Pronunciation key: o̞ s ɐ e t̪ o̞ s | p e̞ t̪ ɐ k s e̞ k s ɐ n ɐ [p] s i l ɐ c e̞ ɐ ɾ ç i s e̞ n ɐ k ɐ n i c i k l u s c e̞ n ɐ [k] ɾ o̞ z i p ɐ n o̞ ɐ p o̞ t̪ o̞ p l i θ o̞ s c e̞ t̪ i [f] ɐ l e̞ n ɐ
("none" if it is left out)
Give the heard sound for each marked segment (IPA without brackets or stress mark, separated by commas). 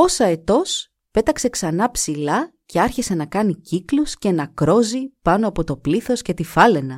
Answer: p, k, f